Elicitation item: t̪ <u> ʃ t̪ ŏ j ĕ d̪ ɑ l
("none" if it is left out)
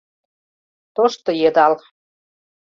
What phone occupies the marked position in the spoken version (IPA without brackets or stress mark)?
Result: o